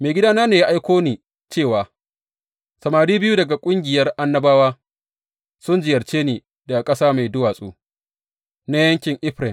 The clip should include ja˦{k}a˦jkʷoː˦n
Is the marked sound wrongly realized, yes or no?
yes